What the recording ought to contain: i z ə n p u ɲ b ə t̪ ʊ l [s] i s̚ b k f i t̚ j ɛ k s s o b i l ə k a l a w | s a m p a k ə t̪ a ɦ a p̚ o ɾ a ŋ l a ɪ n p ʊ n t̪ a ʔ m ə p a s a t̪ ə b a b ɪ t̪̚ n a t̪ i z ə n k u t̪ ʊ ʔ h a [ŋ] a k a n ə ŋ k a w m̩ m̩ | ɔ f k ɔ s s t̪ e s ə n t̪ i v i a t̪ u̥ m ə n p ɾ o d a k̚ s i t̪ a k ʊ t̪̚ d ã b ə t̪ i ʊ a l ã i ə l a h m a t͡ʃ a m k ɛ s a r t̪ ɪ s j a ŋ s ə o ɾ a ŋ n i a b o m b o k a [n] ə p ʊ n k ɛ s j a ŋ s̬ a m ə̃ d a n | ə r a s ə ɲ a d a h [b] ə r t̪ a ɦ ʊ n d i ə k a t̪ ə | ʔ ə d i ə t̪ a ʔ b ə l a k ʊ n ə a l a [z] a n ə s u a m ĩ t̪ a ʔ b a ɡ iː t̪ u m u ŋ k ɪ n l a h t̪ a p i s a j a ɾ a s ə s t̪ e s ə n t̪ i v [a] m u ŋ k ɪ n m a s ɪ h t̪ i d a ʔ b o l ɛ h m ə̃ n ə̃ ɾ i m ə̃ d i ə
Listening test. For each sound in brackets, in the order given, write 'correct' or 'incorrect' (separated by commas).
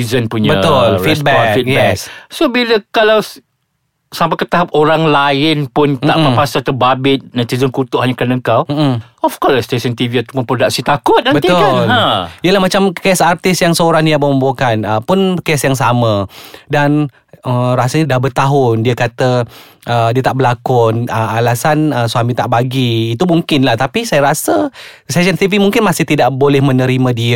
incorrect, incorrect, correct, correct, incorrect, incorrect